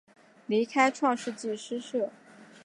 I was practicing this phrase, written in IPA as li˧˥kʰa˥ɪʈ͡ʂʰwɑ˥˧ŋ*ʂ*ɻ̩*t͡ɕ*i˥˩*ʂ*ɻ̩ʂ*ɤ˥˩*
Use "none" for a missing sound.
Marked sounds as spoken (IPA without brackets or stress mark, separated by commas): ʂ, t͡ɕ, ʂ, ɤ˥˩